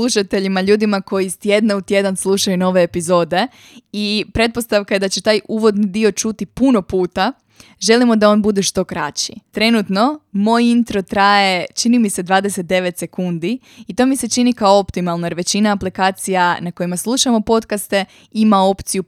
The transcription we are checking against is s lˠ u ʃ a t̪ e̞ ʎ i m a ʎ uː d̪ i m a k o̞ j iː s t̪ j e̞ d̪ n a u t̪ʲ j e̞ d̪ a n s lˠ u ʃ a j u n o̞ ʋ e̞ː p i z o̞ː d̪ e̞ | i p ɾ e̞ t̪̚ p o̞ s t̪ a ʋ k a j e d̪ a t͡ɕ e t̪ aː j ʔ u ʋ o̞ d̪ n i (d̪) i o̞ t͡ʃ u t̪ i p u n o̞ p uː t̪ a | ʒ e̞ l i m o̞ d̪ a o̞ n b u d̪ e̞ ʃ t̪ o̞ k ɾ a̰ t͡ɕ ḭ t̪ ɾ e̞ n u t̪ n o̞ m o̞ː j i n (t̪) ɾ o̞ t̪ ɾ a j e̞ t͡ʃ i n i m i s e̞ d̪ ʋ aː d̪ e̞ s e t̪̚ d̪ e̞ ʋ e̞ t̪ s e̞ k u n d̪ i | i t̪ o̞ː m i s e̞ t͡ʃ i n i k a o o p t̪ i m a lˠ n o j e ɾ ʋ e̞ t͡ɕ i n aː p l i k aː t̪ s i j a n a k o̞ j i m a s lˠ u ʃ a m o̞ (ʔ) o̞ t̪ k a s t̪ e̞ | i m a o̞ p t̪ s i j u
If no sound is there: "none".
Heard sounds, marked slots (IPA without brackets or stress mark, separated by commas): d̪, t̪, p